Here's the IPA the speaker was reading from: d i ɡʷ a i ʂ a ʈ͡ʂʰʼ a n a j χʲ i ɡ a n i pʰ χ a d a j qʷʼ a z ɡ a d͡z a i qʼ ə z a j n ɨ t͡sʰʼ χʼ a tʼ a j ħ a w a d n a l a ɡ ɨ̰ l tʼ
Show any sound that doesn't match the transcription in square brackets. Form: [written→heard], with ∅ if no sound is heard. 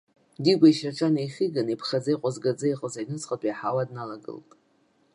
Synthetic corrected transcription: d i ɡʷ a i [ʂ→ʃ] a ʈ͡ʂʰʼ a n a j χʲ i ɡ a n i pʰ χ a [d→d͡z] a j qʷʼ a z ɡ a d͡z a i qʼ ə z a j n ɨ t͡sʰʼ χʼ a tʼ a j ħ a w a d n a l a ɡ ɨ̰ l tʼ